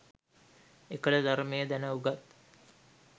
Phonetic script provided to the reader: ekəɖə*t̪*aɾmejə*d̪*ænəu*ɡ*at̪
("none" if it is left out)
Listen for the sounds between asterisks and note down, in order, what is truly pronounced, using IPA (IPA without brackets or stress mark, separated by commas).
d̪, d̪, ɡ